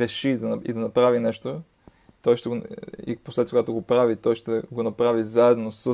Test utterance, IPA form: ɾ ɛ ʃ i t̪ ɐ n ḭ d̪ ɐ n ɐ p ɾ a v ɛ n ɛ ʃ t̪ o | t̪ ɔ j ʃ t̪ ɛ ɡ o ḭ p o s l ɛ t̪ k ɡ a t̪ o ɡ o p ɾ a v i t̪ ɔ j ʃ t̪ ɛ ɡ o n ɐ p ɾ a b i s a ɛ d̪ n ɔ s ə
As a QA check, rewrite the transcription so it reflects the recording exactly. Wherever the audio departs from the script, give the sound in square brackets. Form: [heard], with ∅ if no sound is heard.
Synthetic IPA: ɾ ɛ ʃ i [d̪] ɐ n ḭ d̪ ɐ n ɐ p ɾ a v [i] n ɛ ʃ t̪ o | t̪ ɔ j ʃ t̪ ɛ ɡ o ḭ p o s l ɛ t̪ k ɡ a t̪ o ɡ o p ɾ a v i t̪ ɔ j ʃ t̪ ɛ ɡ o n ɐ p ɾ a [v] i [z] a ɛ d̪ n [o] s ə